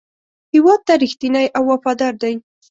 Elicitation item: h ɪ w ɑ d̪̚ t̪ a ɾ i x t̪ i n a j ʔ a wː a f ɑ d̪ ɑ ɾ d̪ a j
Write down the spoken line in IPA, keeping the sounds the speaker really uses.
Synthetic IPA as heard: h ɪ w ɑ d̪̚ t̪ a ɾ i x t̪ i n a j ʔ a wː a f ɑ d̪ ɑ ɾ d̪ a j